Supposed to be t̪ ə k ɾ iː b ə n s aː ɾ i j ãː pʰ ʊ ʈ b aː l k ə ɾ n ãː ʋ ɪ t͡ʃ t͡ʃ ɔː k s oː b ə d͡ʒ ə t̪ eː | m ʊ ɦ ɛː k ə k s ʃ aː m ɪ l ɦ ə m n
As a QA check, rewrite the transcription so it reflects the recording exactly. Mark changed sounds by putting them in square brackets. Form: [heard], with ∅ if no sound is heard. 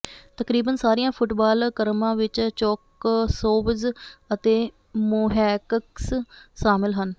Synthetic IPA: t̪ ə k ɾ iː b ə n s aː ɾ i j ãː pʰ ʊ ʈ b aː l k ə ɾ [m] ãː ʋ ɪ t͡ʃ t͡ʃ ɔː k s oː b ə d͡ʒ ə t̪ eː | m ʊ ɦ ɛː k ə k s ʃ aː m ɪ l ɦ ə [∅] n

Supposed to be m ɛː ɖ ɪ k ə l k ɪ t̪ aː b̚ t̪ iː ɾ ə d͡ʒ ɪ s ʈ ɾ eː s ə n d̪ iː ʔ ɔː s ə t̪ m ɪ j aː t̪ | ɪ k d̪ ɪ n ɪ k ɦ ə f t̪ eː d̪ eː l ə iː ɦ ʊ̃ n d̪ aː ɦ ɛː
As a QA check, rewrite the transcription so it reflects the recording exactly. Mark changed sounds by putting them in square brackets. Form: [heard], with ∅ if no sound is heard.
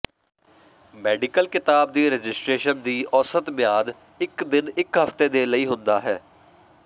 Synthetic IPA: m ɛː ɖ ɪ k ə l k ɪ t̪ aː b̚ [d̪] iː ɾ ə d͡ʒ ɪ s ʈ ɾ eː [ʃ] ə n d̪ iː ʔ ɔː s ə t̪ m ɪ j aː [d̪] | ɪ k d̪ ɪ n ɪ k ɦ ə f t̪ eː d̪ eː l ə iː ɦ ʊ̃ n d̪ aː ɦ ɛː

